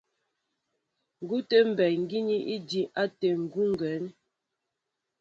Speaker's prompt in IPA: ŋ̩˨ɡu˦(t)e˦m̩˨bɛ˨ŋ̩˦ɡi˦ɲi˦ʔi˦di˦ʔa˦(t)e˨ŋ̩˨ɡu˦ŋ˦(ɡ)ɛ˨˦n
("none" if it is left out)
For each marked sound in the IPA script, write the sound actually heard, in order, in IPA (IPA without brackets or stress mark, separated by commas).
t, t, ɡ